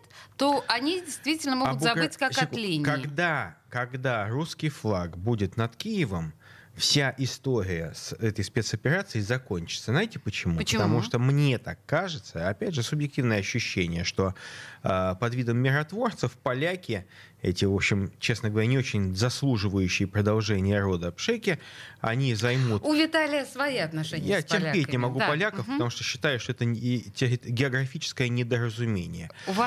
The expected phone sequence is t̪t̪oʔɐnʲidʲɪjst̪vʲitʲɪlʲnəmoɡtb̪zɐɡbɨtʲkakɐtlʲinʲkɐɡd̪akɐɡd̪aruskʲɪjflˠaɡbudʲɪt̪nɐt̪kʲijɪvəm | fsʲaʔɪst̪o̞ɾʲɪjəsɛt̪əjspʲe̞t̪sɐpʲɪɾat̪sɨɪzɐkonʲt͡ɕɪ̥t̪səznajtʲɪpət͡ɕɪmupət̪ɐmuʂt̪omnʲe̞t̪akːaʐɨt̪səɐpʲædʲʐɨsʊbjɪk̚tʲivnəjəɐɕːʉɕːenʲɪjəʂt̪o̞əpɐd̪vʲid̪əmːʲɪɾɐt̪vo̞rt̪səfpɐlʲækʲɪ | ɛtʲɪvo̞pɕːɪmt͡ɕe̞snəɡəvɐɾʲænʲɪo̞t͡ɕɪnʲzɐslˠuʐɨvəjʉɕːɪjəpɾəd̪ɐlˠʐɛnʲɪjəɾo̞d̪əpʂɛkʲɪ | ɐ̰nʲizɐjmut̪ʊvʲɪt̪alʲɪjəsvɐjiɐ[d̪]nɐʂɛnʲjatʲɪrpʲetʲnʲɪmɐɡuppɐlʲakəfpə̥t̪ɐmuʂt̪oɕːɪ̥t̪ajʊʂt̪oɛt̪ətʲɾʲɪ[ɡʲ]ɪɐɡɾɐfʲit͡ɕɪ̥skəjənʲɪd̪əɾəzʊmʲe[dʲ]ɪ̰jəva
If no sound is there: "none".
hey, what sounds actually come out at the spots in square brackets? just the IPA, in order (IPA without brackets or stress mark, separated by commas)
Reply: t̪, ɡʲ, nʲ